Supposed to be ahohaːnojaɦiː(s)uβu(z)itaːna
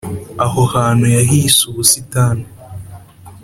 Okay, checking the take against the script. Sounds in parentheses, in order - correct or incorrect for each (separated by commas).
correct, incorrect